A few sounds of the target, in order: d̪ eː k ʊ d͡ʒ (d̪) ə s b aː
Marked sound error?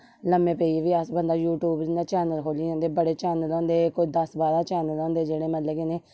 no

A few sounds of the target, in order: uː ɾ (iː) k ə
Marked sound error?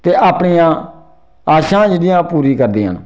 no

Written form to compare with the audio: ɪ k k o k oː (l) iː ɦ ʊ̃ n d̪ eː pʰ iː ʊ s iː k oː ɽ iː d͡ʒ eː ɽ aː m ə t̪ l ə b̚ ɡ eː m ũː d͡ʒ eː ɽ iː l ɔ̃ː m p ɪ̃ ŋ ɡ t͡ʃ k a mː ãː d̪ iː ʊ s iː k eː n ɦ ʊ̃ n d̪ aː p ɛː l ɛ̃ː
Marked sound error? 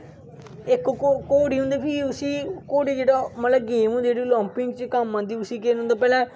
yes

